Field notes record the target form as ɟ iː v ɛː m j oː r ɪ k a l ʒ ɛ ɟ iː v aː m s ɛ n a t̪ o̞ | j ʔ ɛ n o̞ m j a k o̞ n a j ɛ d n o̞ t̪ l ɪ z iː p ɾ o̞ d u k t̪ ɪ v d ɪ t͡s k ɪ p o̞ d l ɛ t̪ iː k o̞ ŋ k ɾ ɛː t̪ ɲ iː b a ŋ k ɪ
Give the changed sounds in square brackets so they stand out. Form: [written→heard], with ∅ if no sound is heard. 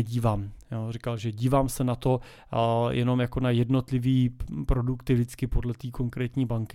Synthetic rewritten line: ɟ iː v [ɛː→aː] m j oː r ɪ k a l ʒ ɛ ɟ iː v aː m s ɛ n a t̪ o̞ | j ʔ ɛ n o̞ m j a k o̞ n a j ɛ d n o̞ t̪ l ɪ [z→v] iː p ɾ o̞ d u k t̪ ɪ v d ɪ t͡s k ɪ p o̞ d l ɛ t̪ iː k o̞ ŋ k ɾ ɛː t̪ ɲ iː b a ŋ k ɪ